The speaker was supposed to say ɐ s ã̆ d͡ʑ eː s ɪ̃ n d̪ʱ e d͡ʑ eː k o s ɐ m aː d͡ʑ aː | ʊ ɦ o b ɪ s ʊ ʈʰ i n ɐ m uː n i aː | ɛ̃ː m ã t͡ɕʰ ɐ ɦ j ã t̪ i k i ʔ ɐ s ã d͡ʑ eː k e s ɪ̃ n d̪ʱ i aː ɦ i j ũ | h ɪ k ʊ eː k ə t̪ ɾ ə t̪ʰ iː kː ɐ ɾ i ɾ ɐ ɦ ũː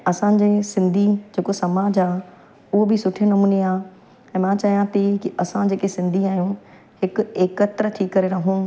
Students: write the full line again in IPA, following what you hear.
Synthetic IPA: ɐ s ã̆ d͡ʑ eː s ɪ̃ n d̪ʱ i d͡ʑ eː k o s ɐ m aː d͡ʑ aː | ʊ ɦ o b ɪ s ʊ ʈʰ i n ɐ m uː n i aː | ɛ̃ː m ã t͡ɕ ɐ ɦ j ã t̪ i k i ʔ ɐ s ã d͡ʑ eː k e s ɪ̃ n d̪ʱ i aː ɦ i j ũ | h ɪ k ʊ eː k ə t̪ ɾ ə t̪ʰ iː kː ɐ ɾ e ɾ ɐ ɦ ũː